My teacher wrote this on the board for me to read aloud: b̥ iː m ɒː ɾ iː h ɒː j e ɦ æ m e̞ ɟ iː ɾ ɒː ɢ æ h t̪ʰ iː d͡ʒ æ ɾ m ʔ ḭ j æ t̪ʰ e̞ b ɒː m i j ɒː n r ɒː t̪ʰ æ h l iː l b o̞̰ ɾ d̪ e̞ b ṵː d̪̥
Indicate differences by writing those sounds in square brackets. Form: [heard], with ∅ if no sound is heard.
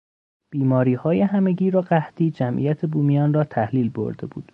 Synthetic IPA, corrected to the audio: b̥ iː m ɒː ɾ iː h ɒː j e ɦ æ m e̞ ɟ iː ɾ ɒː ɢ æ h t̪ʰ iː d͡ʒ æ [∅] m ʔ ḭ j æ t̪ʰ e̞ b [uː] m i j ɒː n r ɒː t̪ʰ æ h l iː l b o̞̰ ɾ d̪ e̞ b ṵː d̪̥